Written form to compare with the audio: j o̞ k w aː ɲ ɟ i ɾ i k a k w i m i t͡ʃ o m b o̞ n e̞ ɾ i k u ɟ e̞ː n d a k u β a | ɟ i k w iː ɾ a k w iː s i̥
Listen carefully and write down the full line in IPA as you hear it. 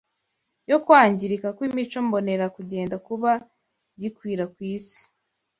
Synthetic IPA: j o̞ k w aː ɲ ɟ i ɾ i k a k w i m i t͡ʃ o m b o̞ n e̞ ɾ a k u ɟ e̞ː n d a k u β a | ɟ i k w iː ɾ a k w iː s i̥